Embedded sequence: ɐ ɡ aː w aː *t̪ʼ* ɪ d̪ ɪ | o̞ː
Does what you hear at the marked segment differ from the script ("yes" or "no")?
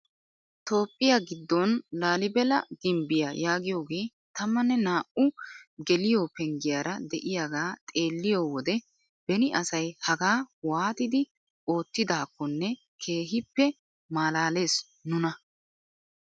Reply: yes